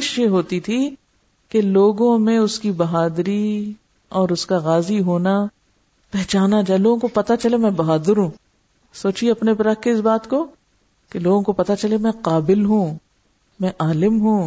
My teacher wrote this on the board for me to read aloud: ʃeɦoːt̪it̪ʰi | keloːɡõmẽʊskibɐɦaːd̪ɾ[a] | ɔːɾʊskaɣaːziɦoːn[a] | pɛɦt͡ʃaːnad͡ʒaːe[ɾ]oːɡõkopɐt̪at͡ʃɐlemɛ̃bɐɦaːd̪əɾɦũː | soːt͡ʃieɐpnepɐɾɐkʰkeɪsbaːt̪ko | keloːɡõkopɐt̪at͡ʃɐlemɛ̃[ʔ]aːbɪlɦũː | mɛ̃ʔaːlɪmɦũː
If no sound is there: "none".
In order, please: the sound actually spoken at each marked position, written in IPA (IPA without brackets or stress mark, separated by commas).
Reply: i, a, l, q